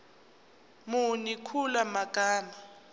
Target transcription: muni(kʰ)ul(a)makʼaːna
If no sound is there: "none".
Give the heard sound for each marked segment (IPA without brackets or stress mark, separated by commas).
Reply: kʰ, a